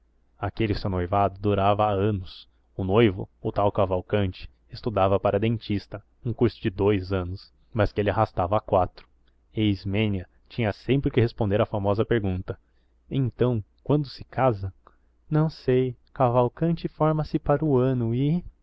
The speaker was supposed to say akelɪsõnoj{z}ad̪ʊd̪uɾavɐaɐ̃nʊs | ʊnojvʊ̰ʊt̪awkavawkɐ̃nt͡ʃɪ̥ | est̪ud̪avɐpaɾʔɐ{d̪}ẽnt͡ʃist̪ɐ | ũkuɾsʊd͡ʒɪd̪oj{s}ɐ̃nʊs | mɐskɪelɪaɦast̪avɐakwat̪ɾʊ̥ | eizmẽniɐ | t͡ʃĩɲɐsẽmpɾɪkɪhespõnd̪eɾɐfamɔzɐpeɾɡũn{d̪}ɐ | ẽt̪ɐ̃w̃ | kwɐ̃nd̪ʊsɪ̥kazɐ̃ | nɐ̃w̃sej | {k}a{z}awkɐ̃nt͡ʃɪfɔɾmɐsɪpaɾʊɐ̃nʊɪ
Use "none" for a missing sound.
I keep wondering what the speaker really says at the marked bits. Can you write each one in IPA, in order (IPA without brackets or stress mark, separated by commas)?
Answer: v, d̪, z, t̪, k, v